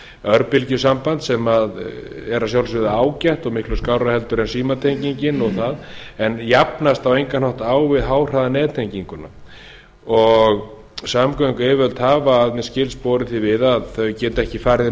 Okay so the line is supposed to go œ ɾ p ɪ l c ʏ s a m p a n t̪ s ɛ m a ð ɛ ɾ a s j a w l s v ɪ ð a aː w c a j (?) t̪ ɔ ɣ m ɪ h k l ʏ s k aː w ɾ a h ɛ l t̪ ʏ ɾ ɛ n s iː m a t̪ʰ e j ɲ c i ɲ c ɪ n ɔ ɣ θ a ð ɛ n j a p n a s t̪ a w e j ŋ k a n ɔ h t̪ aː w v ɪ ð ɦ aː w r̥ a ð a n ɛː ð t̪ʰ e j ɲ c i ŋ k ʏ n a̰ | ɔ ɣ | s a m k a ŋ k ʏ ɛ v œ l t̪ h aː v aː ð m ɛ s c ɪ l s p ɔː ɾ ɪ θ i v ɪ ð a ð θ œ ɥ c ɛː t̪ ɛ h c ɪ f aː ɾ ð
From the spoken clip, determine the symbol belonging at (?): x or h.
h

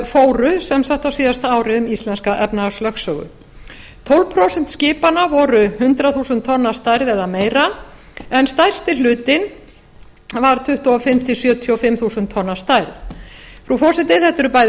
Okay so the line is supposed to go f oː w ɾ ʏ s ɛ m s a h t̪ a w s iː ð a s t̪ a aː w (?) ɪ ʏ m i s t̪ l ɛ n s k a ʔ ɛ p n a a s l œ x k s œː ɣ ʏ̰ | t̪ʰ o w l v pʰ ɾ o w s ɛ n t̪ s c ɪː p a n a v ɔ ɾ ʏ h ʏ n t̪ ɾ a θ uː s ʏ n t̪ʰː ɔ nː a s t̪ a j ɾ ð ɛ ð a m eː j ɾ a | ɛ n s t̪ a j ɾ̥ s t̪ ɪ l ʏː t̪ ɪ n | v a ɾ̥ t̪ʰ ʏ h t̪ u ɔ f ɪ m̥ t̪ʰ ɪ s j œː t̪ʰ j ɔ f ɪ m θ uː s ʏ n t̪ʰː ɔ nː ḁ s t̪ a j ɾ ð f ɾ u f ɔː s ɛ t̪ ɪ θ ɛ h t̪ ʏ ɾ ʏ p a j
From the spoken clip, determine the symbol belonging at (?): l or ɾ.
ɾ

